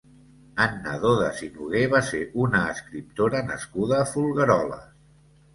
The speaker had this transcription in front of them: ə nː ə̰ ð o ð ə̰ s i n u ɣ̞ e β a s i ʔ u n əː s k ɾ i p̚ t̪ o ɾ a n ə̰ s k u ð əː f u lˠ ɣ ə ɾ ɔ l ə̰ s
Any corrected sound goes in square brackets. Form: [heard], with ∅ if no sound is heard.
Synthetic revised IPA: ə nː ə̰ ð o ð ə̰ s i n u ɣ̞ e β a s [e] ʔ u n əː s k ɾ i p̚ t̪ o ɾ [ə] n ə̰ s k u ð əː f u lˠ ɣ ə ɾ ɔ l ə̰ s